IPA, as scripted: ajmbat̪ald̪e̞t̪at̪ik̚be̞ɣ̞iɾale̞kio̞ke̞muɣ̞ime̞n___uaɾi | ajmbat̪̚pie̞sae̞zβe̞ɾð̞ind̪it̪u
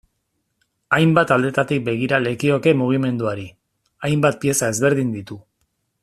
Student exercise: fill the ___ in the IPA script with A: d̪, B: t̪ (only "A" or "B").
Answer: A